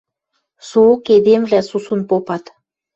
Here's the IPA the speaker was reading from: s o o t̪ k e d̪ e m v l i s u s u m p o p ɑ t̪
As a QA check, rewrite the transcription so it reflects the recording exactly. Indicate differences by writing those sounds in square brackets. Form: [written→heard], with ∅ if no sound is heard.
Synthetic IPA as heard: s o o [t̪→∅] k e d̪ e m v l [i→æ] s u s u [m→n] p o p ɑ t̪